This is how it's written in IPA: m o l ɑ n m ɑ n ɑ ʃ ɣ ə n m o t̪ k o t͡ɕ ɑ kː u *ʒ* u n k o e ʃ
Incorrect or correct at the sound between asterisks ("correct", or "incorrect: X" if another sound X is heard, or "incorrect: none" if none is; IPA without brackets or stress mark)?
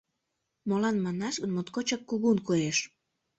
incorrect: ɣ